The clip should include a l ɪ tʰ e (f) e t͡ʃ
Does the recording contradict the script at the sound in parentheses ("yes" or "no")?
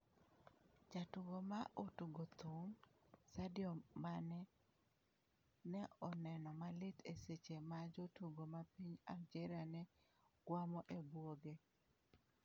yes